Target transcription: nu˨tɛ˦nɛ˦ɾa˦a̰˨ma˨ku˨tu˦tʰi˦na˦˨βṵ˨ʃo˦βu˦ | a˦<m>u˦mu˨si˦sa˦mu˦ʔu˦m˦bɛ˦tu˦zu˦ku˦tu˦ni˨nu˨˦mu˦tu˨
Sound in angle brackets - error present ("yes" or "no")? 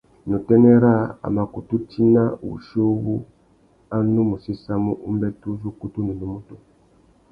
yes